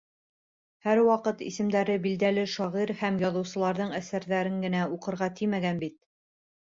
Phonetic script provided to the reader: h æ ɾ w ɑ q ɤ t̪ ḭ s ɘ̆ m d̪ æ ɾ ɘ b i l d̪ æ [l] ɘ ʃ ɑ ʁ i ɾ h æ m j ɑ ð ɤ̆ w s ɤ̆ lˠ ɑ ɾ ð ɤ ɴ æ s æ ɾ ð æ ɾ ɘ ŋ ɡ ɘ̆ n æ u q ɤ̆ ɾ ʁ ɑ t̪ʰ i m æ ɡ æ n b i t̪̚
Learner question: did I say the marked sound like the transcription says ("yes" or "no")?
yes